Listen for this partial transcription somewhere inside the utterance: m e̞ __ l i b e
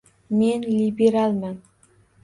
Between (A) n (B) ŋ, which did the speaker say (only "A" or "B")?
A